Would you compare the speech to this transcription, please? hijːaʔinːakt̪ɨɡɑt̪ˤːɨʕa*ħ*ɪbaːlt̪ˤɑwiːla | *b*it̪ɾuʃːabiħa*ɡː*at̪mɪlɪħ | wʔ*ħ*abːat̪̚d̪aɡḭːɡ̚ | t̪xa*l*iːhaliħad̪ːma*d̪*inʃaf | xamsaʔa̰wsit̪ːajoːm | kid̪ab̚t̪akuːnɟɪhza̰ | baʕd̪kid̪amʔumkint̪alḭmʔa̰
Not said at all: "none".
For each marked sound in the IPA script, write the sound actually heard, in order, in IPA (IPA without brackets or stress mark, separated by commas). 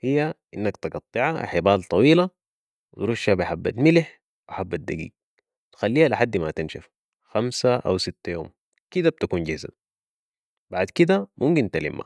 ħ, w, bː, ħ, lː, t̪